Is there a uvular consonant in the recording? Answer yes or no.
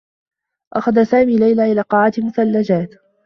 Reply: yes